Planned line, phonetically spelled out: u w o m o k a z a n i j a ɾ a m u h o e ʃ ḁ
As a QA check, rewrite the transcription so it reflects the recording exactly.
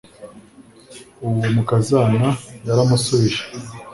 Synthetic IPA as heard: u w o m u k a z a n a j a ɾ a m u s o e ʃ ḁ

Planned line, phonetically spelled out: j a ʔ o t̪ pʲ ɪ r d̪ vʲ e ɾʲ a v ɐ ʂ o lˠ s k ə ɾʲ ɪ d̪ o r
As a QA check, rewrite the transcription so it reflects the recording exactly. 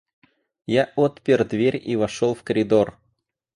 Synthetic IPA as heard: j a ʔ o t̪ pʲ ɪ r d̪ vʲ e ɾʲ i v ɐ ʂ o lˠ f k ə ɾʲ ɪ d̪ o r

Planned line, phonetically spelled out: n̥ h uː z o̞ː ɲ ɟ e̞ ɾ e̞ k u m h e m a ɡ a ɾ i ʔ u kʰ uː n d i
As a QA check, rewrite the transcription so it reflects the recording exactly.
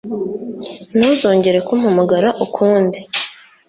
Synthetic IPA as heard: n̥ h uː z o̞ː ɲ ɟ e̞ ɾ e̞ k u m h a m a ɡ a ɾ a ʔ u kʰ uː n d i

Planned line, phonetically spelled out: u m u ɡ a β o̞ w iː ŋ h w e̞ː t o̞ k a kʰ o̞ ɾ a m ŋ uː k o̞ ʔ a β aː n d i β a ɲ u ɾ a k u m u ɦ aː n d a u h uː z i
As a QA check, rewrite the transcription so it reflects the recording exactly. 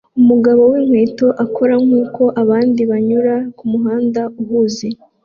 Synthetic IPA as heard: u m u ɡ a β o̞ w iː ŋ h w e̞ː t o̞ ʔ a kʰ o̞ ɾ a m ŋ uː k o̞ ʔ a β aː n d i β a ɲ u ɾ a k u m u ɦ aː n d a u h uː z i

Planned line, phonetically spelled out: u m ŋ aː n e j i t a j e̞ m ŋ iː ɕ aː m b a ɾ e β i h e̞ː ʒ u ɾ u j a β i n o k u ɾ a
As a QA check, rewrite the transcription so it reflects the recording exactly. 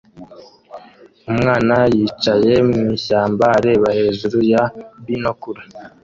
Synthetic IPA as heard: u m ŋ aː n a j i t͡ʃ a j e̞ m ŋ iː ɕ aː m b a ɾ e β a h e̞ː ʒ u ɾ u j a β i n o k u ɾ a

